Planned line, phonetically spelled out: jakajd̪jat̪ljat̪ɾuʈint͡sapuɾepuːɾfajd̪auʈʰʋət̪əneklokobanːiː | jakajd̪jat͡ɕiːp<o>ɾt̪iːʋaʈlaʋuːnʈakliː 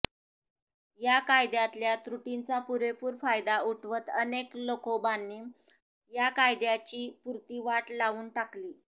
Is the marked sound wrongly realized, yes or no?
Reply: yes